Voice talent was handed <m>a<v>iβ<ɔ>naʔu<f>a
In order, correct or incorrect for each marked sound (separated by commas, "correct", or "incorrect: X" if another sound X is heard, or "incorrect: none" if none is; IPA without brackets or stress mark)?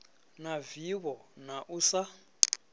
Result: incorrect: n, correct, correct, incorrect: s